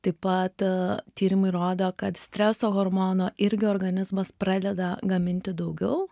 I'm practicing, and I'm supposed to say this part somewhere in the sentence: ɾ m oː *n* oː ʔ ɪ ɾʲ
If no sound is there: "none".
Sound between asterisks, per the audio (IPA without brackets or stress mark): n